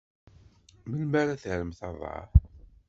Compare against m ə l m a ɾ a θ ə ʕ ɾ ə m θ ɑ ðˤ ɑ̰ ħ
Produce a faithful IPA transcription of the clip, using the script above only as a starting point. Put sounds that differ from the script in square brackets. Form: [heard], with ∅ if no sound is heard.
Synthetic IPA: m ə l m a ɾ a θ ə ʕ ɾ ə m θ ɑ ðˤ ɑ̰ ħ